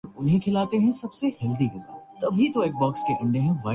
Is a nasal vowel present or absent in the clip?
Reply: present